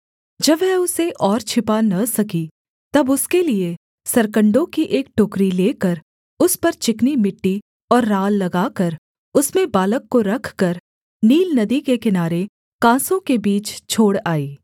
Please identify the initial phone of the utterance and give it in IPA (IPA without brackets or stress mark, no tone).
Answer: d͡ʒ